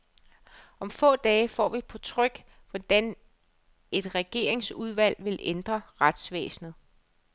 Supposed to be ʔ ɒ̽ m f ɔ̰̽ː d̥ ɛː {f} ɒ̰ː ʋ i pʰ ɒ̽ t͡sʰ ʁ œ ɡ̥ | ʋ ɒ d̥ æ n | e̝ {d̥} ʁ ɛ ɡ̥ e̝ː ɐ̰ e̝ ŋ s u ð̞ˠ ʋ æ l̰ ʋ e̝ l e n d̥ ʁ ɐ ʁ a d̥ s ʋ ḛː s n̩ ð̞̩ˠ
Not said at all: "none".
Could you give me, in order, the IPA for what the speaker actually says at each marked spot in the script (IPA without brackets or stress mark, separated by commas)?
f, d̥